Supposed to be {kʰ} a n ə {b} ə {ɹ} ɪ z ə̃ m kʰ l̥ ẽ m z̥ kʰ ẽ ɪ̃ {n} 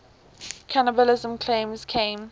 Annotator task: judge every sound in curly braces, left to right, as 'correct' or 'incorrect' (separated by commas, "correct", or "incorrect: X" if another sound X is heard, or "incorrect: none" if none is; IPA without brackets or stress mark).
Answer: correct, correct, incorrect: l, incorrect: m